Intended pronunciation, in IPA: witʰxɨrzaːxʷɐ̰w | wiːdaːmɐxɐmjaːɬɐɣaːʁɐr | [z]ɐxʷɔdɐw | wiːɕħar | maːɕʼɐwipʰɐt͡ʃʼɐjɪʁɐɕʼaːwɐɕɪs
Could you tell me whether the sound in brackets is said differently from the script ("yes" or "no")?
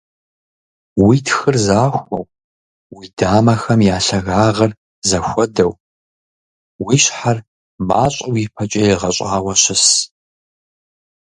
no